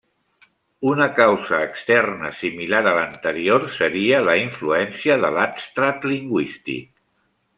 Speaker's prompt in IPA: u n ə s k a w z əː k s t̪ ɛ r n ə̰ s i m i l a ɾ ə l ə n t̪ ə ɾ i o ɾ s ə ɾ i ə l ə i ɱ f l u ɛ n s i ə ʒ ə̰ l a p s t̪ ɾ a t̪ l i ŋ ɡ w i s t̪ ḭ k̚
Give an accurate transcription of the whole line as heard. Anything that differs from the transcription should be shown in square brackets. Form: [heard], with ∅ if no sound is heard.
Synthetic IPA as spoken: u n ə [∅] k a w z əː k s t̪ ɛ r n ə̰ s i m i l a ɾ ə l ə n t̪ ə ɾ i o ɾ s ə ɾ i ə l ə i ɱ f l u ɛ n s i ə [ð] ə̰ l a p s t̪ ɾ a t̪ l i ŋ ɡ w i s t̪ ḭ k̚